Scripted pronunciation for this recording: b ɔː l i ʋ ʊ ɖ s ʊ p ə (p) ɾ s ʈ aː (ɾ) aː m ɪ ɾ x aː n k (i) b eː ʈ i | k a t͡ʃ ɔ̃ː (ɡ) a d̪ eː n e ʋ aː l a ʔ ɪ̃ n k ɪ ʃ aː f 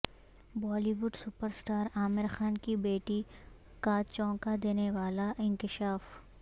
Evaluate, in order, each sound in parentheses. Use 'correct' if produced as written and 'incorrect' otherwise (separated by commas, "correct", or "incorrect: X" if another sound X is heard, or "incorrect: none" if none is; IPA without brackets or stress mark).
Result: incorrect: none, correct, correct, incorrect: k